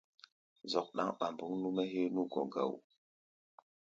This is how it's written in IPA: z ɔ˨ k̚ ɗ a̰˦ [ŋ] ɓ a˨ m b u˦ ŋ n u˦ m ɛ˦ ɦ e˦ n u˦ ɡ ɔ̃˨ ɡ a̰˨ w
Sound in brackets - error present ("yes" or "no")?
no